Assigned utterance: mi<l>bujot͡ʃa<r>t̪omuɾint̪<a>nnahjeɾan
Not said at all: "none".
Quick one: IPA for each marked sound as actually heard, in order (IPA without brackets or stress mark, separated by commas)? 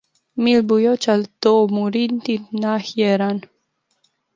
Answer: l, l, i